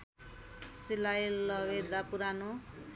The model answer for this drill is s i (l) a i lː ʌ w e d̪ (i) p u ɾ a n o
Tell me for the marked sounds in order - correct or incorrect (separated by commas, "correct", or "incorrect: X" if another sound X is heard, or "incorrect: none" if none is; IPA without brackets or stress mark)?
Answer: correct, incorrect: a